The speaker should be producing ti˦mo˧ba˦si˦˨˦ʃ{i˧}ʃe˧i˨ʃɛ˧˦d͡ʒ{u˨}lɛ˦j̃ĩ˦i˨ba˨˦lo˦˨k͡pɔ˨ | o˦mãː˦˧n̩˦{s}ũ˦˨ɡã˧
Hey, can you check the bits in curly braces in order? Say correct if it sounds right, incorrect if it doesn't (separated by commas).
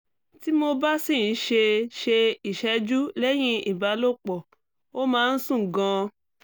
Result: incorrect, incorrect, correct